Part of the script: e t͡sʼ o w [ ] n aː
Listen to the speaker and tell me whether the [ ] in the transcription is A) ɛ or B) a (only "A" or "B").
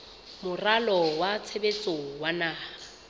B